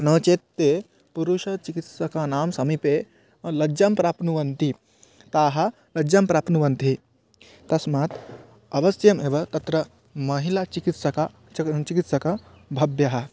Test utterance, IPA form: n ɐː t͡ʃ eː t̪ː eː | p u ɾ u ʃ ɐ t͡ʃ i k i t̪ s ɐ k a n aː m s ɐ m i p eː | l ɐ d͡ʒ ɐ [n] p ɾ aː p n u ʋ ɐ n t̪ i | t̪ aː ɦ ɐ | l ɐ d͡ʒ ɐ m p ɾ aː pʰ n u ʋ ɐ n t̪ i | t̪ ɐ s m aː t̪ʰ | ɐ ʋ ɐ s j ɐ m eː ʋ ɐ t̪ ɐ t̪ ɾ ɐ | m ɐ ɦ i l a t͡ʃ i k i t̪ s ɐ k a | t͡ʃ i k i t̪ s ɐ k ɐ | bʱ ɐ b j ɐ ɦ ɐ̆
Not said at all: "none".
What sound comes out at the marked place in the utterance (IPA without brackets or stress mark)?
m